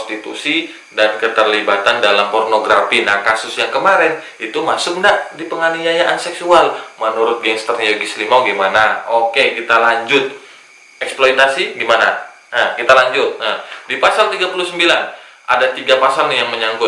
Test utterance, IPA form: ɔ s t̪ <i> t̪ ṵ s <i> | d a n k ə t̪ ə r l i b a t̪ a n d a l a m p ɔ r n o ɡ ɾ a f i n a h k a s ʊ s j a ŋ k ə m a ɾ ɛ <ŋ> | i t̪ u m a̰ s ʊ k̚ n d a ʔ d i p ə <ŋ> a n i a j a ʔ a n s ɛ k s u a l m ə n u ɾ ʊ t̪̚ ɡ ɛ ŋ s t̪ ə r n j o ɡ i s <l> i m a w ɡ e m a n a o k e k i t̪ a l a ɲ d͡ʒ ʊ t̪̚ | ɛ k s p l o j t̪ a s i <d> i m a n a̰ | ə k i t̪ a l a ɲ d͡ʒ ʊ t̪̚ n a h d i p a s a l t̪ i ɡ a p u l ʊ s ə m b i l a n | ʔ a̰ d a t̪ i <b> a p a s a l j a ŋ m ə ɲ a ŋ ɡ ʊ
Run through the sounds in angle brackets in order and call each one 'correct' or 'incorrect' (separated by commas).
correct, correct, incorrect, correct, correct, incorrect, incorrect